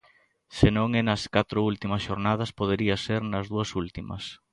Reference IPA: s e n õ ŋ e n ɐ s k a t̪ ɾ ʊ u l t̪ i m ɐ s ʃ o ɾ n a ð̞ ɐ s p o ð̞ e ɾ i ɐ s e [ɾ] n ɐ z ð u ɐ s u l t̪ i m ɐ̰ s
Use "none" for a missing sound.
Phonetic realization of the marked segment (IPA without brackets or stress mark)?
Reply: ɾ